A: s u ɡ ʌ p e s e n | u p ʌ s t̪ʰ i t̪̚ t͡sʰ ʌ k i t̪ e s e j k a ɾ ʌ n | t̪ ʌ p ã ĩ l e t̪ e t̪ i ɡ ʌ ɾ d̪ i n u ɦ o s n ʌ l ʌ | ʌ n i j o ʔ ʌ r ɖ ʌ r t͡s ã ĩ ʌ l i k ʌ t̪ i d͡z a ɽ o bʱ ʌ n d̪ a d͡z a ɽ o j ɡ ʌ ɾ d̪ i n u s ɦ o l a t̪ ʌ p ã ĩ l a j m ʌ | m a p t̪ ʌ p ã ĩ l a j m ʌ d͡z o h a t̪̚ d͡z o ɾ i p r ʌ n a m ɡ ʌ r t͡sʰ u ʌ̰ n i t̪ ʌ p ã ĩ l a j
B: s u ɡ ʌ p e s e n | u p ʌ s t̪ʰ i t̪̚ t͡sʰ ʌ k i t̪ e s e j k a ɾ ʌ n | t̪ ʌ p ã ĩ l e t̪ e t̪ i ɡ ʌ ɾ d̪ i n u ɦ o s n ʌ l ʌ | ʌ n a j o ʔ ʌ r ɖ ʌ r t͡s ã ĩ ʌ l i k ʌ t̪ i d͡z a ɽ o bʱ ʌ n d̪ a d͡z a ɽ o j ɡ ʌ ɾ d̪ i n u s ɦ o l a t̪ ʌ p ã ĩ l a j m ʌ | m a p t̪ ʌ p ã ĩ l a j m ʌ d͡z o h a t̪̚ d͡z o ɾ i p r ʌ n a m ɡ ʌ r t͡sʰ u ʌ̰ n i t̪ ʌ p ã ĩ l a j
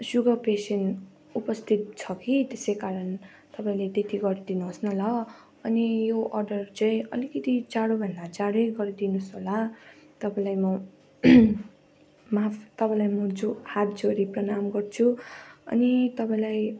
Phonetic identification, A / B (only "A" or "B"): A